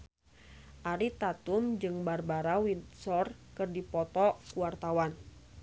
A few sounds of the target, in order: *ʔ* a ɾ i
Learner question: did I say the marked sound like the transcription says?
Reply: yes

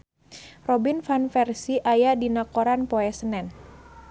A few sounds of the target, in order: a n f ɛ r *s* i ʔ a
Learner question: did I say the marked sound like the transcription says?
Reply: yes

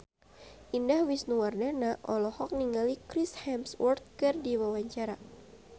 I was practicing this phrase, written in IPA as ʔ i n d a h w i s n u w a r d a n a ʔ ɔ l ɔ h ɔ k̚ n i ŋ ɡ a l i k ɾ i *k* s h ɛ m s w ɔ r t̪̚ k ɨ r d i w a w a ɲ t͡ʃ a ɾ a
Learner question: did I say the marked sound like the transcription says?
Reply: no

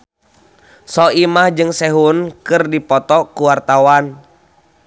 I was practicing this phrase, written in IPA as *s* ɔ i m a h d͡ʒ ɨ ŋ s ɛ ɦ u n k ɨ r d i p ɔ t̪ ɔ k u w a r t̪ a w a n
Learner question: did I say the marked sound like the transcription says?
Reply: yes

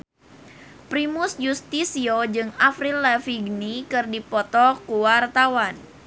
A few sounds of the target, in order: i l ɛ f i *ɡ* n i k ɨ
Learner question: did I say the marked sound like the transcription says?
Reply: yes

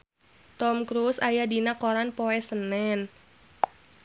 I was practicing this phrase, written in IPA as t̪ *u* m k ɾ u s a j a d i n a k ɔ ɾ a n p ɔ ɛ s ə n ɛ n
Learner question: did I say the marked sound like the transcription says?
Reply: no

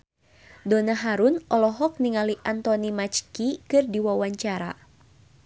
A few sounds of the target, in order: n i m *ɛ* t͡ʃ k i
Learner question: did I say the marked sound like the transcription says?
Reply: no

